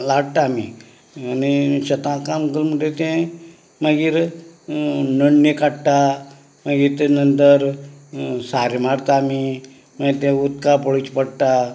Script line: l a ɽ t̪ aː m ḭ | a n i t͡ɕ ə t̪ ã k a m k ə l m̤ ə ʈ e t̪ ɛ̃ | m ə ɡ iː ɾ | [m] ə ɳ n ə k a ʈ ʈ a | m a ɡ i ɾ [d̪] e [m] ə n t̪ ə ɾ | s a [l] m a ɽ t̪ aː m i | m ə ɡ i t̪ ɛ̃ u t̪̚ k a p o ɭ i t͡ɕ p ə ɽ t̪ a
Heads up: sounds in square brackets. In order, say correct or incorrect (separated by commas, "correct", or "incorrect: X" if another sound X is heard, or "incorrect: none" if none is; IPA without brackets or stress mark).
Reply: incorrect: n, incorrect: t̪, incorrect: n, incorrect: ɾ